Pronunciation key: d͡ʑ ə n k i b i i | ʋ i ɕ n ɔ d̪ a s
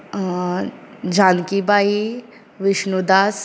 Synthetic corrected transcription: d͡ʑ a n k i b a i | ʋ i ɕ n u d̪ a s

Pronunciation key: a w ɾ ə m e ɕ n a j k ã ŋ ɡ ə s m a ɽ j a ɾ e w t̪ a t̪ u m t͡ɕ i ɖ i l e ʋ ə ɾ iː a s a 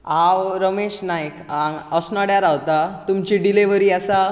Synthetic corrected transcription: a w ɾ ə m e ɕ n a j k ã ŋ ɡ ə s n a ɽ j a ɾ a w t̪ a t̪ u m t͡ɕ i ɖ i l e ʋ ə ɾ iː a s a

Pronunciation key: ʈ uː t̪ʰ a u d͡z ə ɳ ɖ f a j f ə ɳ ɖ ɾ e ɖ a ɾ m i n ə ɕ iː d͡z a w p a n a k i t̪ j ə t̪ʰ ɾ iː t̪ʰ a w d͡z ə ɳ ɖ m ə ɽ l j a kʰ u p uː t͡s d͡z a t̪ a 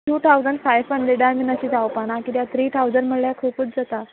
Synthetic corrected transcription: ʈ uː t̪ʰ a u d͡z ə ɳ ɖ f a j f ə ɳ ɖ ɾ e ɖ a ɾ m i n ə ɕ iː d͡z a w p a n a k i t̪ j a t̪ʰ ɾ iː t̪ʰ a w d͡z ə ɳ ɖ m ə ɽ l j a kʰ u p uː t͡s d͡z a t̪ a

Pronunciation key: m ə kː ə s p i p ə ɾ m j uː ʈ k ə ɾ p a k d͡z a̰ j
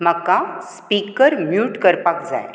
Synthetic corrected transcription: m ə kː a s p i k ə ɾ m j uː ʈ k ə ɾ p a k d͡z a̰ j

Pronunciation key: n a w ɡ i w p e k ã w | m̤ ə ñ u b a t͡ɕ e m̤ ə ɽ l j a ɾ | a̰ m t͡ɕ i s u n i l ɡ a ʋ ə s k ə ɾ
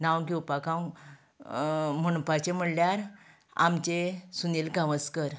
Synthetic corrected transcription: n a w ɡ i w p a k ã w | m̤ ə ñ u p a t͡ɕ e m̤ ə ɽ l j a ɾ | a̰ m t͡ɕ e s u n i l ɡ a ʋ ə s k ə ɾ

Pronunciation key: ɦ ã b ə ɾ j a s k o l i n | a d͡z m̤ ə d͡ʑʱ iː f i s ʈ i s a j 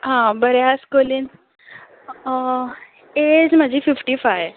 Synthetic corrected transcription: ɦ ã b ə ɾ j a s k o l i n | e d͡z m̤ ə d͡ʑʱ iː f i f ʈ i f a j

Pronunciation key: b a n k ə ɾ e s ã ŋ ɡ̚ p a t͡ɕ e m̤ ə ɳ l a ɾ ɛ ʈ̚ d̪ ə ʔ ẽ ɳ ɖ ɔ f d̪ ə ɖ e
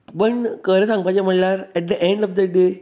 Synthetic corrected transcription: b ə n k ə ɾ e s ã ŋ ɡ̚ p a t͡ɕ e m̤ ə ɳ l a ɾ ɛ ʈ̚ d̪ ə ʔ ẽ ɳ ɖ ɔ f d̪ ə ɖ e

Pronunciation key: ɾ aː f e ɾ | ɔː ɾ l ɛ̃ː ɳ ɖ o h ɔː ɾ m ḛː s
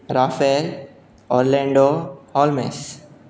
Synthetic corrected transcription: ɾ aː f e l | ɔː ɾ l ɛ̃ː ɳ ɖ o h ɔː l m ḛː s

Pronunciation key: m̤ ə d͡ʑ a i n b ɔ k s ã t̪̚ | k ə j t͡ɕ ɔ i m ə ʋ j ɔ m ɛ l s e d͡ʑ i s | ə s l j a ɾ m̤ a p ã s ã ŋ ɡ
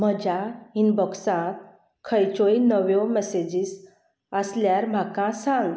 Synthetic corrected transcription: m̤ ə d͡ʑ a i n b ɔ k s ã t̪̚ | kʰ ə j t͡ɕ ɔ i n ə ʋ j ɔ m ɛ s e d͡ʑ i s | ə s l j a ɾ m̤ a k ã s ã ŋ ɡ

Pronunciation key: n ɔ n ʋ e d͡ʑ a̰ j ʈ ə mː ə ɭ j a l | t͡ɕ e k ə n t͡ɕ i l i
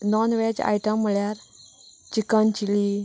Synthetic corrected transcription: n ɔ n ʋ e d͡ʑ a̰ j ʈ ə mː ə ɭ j a ɾ | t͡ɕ i k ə n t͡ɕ i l i

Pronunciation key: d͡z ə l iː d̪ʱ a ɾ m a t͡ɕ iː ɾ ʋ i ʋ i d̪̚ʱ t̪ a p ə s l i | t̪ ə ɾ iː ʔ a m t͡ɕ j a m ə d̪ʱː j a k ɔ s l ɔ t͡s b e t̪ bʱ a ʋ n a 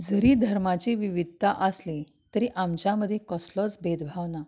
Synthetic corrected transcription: d͡z ə ɾ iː d̪ʱ ə ɾ m a t͡ɕ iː ʋ i ʋ i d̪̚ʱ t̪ a ʔ ə s l i | t̪ ə ɾ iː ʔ a m t͡ɕ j a m ə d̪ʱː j e k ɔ s l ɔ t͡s b e d̪ bʱ a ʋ n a

